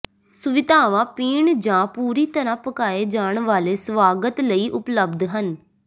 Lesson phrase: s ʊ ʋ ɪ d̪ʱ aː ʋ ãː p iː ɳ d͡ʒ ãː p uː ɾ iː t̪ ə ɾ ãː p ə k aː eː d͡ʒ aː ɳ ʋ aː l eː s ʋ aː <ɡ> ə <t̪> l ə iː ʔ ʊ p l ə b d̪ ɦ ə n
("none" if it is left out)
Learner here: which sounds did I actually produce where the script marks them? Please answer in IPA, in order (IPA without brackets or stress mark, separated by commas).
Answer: ɡ, t̪